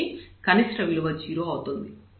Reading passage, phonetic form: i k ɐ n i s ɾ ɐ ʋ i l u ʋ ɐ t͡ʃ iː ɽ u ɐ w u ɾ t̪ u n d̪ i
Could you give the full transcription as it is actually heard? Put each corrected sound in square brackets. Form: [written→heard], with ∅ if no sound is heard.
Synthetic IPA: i k ɐ n i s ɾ ɐ ʋ i l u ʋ ɐ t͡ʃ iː [ɽ→ɾ] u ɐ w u [ɾ→∅] t̪ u n d̪ i